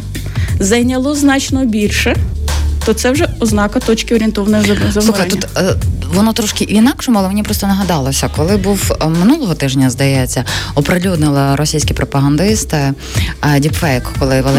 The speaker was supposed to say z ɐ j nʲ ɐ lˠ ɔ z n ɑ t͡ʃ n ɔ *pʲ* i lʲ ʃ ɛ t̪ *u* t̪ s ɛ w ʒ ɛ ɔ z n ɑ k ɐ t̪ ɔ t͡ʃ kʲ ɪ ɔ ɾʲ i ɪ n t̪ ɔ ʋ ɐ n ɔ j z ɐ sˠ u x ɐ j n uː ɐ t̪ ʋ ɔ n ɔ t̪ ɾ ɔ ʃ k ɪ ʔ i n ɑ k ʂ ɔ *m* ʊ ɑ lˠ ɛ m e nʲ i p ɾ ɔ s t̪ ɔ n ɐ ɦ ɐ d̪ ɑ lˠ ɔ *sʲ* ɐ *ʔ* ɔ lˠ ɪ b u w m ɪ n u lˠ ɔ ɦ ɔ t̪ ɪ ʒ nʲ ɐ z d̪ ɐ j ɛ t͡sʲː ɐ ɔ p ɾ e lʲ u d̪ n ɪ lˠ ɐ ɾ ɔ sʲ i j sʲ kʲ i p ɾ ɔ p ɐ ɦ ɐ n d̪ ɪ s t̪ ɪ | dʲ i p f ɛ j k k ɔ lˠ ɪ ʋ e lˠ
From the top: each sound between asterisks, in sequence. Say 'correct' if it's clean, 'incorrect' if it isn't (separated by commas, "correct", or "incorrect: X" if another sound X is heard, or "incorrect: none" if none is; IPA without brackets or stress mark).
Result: incorrect: bʲ, incorrect: ɔ, correct, correct, incorrect: k